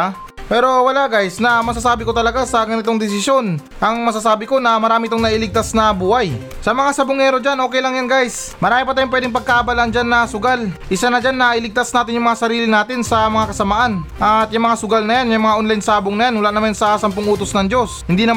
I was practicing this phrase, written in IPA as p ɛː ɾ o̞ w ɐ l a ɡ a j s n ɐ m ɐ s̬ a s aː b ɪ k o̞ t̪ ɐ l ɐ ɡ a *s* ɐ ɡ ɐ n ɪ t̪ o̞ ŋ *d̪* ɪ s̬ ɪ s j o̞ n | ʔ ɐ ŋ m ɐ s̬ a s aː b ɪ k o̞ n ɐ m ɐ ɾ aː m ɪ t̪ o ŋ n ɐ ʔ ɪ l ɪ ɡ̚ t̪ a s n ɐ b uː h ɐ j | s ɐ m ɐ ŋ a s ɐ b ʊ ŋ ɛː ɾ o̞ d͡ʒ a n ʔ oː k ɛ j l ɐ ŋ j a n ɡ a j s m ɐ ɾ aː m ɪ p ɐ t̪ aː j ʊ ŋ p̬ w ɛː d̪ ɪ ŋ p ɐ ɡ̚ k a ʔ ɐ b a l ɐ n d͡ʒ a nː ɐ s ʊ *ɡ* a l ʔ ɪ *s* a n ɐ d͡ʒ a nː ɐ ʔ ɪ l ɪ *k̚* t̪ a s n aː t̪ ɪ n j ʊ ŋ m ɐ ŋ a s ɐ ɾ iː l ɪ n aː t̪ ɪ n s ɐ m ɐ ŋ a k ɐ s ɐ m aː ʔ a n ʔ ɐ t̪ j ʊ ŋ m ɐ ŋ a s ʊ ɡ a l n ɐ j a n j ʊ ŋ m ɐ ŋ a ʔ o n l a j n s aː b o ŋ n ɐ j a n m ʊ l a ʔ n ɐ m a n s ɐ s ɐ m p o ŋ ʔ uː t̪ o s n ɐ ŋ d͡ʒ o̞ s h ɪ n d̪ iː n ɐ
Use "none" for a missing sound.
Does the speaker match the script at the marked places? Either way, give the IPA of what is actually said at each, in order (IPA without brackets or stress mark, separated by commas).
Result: s, d̪, ɡ, s, ɡ̚